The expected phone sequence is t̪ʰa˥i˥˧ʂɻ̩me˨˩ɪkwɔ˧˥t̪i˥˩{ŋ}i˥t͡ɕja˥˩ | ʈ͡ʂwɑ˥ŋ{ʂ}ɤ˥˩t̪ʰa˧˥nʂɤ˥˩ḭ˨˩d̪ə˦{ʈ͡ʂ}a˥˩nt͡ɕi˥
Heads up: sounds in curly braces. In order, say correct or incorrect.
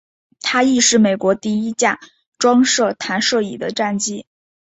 incorrect: none, correct, correct

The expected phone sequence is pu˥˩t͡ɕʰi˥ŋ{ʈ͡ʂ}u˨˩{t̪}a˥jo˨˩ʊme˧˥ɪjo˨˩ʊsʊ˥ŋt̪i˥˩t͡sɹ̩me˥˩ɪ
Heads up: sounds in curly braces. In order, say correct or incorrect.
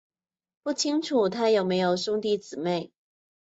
incorrect: ʈ͡ʂʰ, incorrect: t̪ʰ

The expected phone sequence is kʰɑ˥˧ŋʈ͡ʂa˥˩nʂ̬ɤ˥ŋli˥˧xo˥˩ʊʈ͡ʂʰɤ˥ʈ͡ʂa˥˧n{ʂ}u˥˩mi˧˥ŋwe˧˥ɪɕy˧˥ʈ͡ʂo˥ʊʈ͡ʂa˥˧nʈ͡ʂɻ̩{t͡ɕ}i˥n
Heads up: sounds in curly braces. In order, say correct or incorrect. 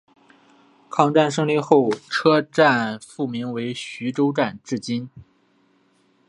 incorrect: f, correct

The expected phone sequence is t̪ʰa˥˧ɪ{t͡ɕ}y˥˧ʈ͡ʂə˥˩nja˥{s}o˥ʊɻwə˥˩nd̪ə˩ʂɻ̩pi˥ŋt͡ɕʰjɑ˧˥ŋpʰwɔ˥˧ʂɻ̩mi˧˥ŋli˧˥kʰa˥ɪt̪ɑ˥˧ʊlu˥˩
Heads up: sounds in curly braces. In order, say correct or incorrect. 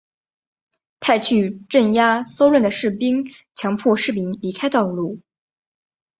incorrect: t͡ɕʰ, correct

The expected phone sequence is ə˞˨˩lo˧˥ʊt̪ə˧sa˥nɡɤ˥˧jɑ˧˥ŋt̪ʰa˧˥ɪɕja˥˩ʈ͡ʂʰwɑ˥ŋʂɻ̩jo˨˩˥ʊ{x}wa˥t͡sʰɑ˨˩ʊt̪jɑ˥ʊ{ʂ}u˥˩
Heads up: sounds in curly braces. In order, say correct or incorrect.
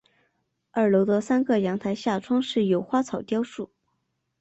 correct, correct

